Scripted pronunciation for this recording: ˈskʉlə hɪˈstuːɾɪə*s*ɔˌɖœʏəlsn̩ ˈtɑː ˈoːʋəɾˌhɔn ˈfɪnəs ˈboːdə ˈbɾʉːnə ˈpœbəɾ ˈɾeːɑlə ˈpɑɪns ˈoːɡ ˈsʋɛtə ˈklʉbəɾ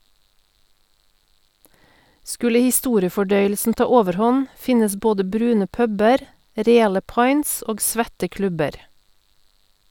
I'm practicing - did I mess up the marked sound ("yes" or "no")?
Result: yes